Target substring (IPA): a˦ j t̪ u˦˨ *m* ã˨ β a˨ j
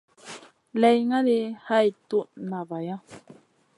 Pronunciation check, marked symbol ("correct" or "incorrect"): incorrect